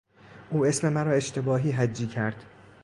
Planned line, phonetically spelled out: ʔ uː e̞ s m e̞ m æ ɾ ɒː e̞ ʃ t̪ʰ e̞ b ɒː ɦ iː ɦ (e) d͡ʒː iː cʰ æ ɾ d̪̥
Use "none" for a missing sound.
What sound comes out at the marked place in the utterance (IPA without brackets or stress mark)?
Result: æ